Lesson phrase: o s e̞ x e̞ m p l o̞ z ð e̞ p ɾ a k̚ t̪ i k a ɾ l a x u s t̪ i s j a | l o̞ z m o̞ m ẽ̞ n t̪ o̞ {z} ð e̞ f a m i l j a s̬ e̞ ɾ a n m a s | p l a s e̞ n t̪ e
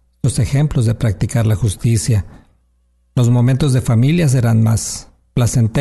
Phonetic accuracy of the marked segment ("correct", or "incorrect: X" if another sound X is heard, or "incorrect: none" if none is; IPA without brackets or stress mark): correct